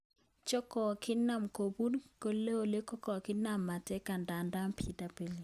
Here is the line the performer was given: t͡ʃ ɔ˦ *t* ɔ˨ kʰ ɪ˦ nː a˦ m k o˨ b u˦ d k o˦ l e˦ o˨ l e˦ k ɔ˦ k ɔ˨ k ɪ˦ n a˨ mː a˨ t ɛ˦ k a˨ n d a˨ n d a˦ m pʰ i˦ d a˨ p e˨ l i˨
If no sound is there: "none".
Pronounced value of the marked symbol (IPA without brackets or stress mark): k